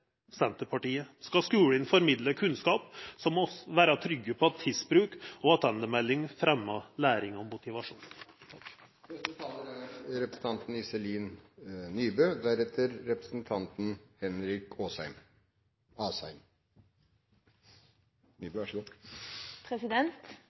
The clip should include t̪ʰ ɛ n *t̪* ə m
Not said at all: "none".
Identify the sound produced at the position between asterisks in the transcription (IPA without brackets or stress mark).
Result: d̪